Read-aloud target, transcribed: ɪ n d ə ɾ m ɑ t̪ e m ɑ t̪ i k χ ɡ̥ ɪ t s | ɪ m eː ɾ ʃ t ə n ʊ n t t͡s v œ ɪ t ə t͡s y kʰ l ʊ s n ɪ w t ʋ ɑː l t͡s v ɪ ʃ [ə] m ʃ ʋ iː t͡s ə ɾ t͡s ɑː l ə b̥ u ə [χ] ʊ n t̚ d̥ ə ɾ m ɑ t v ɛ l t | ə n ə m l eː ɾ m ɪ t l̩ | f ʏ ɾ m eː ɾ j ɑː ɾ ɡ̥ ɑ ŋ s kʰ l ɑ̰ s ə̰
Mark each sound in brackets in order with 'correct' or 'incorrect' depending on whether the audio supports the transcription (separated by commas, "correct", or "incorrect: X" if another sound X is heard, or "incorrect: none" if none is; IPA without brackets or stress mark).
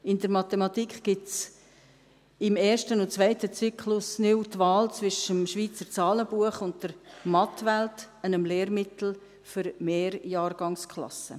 correct, correct